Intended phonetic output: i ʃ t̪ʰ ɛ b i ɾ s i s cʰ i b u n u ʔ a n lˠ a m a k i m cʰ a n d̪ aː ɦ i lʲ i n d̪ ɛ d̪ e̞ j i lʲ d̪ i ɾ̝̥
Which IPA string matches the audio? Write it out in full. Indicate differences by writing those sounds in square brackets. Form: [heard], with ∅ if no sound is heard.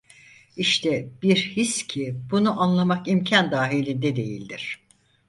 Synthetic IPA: i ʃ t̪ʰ ɛ b i ɾ [h] i s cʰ i b u n u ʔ a n lˠ a m a k i m cʰ a n d̪ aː ɦ i lʲ i n d̪ ɛ d̪ e̞ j i lʲ d̪ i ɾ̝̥